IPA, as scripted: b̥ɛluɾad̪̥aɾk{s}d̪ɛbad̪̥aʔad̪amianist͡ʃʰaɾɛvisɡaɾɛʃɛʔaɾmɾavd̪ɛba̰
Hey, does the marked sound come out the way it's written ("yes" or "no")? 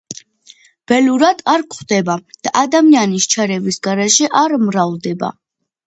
no